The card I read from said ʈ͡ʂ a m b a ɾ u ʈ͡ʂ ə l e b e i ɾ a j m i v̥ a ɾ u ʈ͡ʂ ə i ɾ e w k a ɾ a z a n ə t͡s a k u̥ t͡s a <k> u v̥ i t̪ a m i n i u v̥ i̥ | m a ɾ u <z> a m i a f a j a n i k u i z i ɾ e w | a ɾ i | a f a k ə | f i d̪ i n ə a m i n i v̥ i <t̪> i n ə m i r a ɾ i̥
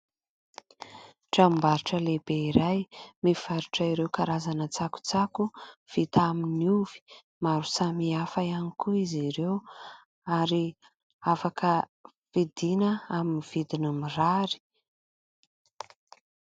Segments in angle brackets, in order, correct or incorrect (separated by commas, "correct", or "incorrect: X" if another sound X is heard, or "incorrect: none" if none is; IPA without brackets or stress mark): correct, incorrect: s, incorrect: d̪